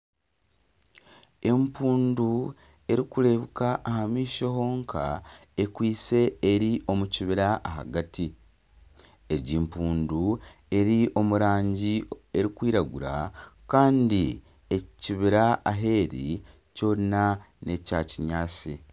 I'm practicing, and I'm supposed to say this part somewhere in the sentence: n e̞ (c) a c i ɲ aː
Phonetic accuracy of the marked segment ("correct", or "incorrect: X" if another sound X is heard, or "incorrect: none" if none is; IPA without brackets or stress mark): correct